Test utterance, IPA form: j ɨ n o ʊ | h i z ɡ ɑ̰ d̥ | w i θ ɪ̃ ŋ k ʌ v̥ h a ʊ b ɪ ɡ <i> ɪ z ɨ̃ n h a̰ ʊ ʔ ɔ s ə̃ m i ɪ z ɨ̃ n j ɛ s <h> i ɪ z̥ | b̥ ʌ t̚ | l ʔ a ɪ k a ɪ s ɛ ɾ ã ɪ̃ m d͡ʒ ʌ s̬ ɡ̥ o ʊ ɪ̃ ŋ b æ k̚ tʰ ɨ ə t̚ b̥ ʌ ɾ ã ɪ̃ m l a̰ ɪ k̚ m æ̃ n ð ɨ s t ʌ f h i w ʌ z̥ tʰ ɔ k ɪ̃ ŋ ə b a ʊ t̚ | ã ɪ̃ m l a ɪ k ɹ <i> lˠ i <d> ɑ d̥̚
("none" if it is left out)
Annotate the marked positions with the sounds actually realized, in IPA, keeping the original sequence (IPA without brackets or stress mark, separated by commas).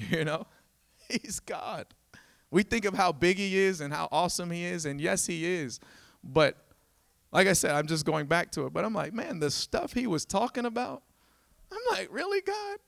i, h, ɪ, ɡ